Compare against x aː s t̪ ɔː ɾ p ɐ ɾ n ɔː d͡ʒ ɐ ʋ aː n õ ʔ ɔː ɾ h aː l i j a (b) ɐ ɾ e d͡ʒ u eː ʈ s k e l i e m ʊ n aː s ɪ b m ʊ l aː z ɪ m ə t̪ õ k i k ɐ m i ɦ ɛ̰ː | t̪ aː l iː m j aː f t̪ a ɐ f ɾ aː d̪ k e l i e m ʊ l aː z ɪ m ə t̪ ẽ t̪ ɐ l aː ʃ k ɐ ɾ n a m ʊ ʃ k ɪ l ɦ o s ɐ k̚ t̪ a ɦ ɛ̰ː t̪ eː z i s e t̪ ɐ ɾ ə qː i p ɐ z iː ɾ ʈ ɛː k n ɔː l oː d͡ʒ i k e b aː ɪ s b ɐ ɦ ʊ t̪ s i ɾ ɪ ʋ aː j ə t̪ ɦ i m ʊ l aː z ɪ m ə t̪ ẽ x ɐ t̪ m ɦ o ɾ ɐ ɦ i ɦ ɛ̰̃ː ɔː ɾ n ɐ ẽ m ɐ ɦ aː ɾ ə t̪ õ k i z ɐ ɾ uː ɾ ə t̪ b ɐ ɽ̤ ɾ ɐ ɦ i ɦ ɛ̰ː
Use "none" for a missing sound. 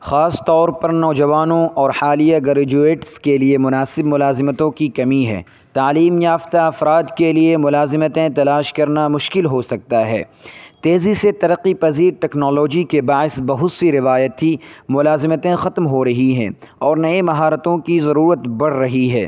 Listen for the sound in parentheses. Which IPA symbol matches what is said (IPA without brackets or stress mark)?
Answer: ɡ